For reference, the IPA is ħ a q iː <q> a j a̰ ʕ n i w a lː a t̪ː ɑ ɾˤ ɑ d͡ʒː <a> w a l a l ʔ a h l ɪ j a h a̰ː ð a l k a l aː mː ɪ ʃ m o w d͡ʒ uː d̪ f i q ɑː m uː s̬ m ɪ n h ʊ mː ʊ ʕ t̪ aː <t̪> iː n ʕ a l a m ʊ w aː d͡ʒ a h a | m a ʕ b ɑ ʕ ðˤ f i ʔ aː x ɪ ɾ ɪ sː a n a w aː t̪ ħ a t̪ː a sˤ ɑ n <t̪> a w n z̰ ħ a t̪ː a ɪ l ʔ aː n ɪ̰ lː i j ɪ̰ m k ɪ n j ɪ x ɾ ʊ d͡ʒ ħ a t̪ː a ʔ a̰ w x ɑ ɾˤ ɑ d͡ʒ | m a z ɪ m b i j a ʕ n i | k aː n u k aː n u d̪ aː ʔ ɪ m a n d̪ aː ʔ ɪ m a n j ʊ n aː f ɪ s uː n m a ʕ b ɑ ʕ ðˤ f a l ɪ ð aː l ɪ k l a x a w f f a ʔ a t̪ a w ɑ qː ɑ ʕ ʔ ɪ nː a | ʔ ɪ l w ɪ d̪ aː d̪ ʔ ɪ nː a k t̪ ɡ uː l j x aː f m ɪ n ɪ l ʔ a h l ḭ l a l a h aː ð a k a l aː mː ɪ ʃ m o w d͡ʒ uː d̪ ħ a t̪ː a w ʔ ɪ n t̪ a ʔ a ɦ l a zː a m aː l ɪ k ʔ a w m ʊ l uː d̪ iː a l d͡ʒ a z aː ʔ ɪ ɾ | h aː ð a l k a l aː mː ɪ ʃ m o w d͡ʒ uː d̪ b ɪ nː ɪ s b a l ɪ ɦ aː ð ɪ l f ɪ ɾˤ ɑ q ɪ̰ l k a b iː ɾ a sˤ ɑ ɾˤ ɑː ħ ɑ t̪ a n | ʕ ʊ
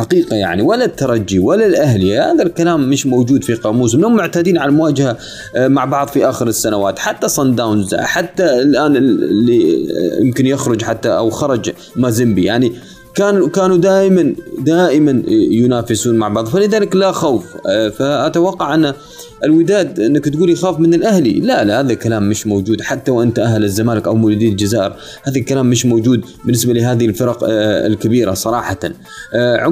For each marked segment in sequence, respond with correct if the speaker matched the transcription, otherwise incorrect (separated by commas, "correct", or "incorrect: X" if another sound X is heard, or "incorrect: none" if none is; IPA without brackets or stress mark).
correct, incorrect: i, incorrect: d̪, incorrect: d̪